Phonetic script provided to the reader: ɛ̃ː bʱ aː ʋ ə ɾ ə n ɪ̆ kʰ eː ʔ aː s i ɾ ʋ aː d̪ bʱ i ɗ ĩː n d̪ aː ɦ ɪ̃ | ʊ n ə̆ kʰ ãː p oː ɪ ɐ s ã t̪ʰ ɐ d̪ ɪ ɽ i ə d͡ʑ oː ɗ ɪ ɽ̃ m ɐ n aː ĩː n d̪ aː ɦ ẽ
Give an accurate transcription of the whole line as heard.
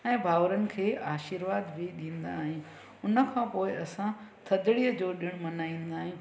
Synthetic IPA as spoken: ɛ̃ː bʱ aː ʋ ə ɾ ə n ɪ̆ kʰ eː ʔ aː ʃ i ɾ ʋ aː d̪ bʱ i ɗ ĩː n d̪ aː ɦ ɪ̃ | ʊ n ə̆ kʰ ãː p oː ɪ ɐ s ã t̪ʰ ɐ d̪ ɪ ɽ i ə d͡ʑ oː ɗ ɪ ɽ̃ m ɐ n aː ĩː n d̪ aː ɦ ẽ

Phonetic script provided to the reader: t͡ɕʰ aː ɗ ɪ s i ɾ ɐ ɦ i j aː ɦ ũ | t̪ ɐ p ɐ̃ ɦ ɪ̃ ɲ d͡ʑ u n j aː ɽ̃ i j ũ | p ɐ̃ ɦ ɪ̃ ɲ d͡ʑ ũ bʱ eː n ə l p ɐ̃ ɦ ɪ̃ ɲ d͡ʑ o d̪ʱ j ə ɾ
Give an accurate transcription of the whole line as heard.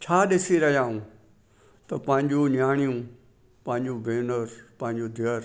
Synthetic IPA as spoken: t͡ɕʰ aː ɗ ɪ s i ɾ ɐ ɦ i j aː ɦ ũ | t̪ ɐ p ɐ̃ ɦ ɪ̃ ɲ d͡ʑ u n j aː ɽ̃ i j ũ | p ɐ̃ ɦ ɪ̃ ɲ d͡ʑ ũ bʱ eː n ə ɾ p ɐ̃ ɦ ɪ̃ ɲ d͡ʑ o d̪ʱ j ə ɾ

